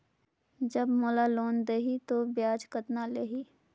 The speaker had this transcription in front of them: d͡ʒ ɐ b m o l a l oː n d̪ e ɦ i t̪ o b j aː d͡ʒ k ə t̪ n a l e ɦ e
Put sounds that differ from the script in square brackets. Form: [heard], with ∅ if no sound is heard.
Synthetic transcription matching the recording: d͡ʒ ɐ b m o l a l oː n d̪ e ɦ i t̪ o b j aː d͡ʒ k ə t̪ n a l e ɦ [i]